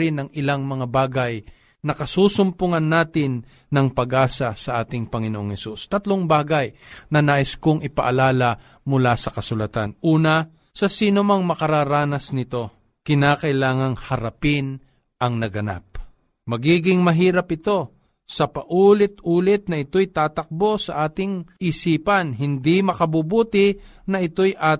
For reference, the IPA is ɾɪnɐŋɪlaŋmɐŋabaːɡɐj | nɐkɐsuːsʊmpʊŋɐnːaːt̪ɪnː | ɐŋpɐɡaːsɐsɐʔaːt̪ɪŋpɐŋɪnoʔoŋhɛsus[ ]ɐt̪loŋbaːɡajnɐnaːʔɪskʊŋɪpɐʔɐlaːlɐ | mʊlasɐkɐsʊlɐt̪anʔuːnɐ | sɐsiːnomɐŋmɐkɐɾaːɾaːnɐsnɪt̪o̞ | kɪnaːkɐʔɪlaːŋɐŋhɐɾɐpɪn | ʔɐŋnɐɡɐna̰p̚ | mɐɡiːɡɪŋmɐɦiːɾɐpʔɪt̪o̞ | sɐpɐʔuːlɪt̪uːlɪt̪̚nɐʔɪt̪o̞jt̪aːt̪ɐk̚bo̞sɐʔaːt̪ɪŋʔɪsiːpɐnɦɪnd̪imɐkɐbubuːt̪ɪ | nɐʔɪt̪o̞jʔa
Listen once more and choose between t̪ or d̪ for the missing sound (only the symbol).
t̪